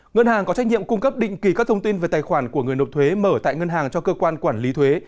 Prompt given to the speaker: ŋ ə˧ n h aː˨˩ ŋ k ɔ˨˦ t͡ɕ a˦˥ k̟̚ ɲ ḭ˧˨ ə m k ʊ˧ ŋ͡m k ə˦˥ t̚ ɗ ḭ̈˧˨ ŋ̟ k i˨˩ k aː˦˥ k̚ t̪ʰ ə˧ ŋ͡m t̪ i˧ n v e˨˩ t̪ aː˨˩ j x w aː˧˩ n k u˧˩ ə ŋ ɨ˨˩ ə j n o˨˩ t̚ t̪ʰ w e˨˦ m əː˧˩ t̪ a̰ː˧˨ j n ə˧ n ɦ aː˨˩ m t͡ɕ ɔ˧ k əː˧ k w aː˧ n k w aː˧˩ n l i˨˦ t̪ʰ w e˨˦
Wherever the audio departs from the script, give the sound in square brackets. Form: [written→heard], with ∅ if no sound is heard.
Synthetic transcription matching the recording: ŋ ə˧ n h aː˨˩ ŋ k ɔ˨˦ t͡ɕ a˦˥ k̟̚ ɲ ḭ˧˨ ə m k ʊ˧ ŋ͡m k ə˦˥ [t̚→p̚] ɗ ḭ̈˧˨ ŋ̟ k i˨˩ k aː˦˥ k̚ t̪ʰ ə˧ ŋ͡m t̪ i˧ n v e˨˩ t̪ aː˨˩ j x w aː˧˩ n k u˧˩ ə ŋ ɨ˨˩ ə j n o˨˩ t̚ t̪ʰ w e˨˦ m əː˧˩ t̪ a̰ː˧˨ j [n→ŋ] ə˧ n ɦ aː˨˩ [m→ŋ] t͡ɕ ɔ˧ k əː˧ k w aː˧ n k w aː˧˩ n l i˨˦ t̪ʰ w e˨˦

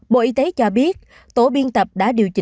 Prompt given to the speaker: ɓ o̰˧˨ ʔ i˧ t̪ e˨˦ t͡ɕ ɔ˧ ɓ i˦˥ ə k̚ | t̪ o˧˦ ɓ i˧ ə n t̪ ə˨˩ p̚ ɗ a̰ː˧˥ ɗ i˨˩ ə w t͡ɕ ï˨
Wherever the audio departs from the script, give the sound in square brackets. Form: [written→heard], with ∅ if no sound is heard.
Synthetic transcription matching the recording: ɓ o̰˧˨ ʔ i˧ t̪ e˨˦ t͡ɕ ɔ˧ ɓ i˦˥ ə [k̚→t̚] | t̪ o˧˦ ɓ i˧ ə n t̪ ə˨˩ p̚ ɗ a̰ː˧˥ ɗ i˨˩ ə w t͡ɕ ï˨

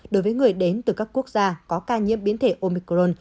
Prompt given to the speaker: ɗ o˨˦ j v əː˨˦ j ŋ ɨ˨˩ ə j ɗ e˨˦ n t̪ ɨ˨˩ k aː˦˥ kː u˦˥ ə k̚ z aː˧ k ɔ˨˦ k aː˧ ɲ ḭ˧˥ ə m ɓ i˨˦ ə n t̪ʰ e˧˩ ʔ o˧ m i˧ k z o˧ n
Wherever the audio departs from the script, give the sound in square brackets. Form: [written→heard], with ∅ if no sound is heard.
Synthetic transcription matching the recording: ɗ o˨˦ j v əː˨˦ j ŋ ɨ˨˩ ə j ɗ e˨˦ n t̪ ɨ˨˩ k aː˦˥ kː u˦˥ ə k̚ z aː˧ k ɔ˨˦ k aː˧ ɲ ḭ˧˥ ə m ɓ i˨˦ ə n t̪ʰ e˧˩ ʔ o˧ m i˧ k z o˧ n

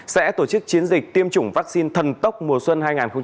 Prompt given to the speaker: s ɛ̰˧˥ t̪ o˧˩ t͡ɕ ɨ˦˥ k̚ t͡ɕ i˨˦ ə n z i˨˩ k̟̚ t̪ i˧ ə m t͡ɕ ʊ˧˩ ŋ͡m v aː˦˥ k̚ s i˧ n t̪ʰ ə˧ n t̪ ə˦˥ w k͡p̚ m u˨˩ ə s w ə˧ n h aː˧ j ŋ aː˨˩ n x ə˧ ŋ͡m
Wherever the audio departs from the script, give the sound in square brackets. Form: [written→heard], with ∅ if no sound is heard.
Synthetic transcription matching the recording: s ɛ̰˧˥ t̪ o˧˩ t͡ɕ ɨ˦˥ k̚ t͡ɕ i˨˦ ə n z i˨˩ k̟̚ t̪ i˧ ə m t͡ɕ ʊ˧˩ ŋ͡m v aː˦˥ k̚ s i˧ n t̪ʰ [ə˧→ə˨˩] n t̪ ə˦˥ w k͡p̚ m u˨˩ ə s w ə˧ n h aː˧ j ŋ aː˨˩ n x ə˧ ŋ͡m

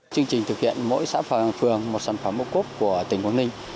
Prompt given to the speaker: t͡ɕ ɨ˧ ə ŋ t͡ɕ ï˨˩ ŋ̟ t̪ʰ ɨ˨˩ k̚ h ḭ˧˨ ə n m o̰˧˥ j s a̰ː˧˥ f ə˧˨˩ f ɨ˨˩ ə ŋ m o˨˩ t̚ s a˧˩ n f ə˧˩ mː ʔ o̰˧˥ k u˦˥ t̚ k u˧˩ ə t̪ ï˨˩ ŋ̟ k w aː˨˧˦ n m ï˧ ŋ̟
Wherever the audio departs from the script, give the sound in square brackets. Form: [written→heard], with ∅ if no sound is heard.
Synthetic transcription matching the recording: t͡ɕ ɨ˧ ə ŋ t͡ɕ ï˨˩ ŋ̟ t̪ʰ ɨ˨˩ k̚ h ḭ˧˨ ə n m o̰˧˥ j s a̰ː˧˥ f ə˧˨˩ f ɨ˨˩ ə ŋ m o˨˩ t̚ s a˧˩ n f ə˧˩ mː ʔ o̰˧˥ k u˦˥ [t̚→p̚] k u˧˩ ə t̪ ï˨˩ ŋ̟ k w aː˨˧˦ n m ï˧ ŋ̟

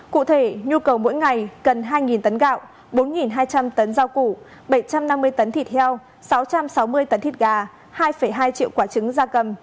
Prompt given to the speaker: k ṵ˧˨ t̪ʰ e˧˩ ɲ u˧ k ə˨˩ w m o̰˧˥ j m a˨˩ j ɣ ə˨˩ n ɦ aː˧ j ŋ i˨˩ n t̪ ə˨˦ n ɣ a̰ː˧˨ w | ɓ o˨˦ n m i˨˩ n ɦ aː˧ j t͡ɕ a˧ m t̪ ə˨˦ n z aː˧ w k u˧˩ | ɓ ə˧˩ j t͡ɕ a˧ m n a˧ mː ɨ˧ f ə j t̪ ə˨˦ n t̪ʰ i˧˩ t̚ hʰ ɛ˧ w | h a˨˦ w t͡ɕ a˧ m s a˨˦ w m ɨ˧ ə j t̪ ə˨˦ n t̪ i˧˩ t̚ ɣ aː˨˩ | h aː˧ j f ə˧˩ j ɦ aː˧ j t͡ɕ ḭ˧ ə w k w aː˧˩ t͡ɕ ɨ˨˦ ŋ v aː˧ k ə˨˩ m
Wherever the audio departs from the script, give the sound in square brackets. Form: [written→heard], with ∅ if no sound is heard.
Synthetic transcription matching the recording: k ṵ˧˨ t̪ʰ e˧˩ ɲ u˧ k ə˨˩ w m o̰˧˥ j [m→ŋ] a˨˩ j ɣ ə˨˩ n ɦ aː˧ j ŋ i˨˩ n t̪ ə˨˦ n ɣ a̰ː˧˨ w | ɓ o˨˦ n [m→ŋ] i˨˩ n ɦ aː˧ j t͡ɕ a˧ m t̪ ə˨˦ n z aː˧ w k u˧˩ | ɓ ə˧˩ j t͡ɕ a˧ m n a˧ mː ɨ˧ [f→∅] ə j t̪ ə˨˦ n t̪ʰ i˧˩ t̚ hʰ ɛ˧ w | [h→s] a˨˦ w t͡ɕ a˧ m s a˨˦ w m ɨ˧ ə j t̪ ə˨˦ n t̪ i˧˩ t̚ ɣ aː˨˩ | h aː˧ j f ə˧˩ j ɦ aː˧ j t͡ɕ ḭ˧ ə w k w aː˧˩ t͡ɕ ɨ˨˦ ŋ [v→z] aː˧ k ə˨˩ m

